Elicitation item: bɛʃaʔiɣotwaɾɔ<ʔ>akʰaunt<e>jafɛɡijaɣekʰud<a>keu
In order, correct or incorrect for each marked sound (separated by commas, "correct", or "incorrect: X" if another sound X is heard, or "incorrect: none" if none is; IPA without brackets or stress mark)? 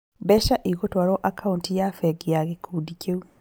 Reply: correct, incorrect: i, incorrect: i